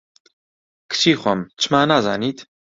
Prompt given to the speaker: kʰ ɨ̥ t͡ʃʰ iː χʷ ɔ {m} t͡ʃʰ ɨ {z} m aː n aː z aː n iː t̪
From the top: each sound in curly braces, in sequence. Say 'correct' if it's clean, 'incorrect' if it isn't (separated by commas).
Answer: correct, incorrect